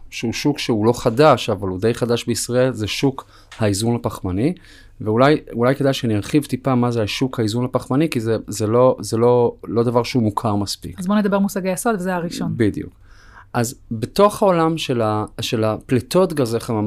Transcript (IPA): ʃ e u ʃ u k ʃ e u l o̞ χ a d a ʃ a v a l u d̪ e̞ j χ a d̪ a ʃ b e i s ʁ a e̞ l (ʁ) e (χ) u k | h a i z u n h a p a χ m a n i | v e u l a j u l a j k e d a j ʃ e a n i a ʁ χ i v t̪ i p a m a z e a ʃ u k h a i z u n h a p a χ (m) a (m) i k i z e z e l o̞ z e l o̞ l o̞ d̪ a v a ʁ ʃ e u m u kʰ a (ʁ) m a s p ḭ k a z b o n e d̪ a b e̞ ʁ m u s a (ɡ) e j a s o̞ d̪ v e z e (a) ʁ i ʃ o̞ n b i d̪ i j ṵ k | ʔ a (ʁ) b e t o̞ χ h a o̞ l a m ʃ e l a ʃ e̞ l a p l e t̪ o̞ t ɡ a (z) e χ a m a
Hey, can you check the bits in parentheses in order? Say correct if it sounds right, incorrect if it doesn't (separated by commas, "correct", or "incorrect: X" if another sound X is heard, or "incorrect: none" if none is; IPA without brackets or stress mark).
incorrect: z, incorrect: ʃ, correct, incorrect: n, correct, correct, correct, incorrect: z, correct